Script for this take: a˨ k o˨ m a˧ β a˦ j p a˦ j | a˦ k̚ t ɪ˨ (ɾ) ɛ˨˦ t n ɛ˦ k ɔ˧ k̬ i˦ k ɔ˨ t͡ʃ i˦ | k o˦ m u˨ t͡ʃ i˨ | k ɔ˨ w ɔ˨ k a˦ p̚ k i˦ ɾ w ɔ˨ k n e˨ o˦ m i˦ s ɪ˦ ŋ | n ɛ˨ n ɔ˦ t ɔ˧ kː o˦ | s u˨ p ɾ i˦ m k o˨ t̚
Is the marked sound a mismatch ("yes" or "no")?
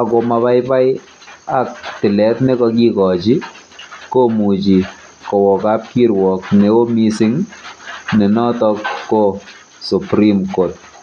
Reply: yes